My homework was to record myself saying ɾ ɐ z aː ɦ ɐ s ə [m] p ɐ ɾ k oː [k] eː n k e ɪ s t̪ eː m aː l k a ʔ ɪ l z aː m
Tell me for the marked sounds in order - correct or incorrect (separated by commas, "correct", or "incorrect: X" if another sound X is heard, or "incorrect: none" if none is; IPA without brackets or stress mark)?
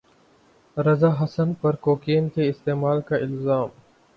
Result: incorrect: n, correct